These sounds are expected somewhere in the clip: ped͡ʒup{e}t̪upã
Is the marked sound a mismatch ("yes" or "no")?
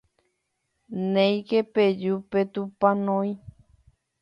no